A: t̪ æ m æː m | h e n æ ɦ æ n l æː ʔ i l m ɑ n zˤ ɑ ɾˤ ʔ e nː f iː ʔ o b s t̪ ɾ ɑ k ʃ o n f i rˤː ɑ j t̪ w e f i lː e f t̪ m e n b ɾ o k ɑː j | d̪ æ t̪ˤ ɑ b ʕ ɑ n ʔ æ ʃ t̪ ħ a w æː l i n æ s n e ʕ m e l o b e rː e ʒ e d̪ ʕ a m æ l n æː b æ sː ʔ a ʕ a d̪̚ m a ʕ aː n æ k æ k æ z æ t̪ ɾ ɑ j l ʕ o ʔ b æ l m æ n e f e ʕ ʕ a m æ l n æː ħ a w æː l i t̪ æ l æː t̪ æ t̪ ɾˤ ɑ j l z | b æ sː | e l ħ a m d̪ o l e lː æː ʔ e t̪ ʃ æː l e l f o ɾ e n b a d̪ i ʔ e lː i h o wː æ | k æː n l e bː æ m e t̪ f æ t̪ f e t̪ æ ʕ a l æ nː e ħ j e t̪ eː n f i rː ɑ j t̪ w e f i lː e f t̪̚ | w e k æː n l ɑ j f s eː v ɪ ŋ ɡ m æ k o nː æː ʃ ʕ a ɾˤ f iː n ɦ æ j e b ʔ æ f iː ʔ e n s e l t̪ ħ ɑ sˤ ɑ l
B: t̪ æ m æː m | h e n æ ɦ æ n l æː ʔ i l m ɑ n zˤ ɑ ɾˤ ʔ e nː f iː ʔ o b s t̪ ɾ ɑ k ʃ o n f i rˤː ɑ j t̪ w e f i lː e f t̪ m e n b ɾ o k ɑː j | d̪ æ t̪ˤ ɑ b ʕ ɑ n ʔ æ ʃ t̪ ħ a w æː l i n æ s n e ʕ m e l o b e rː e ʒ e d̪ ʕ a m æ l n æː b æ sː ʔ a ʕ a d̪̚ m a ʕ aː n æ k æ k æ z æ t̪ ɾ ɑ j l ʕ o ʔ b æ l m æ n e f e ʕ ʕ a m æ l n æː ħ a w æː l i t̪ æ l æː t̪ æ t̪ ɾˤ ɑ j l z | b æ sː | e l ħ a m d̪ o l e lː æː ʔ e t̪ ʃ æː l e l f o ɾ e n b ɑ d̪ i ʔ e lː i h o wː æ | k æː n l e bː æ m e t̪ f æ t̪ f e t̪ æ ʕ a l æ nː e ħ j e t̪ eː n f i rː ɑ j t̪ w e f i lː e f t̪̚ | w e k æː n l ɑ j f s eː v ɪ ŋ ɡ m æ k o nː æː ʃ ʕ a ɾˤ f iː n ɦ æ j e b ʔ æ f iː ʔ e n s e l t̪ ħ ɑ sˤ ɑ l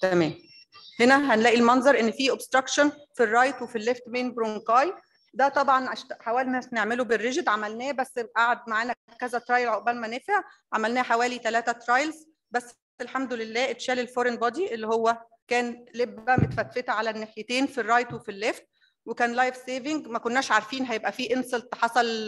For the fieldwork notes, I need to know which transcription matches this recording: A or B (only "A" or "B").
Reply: B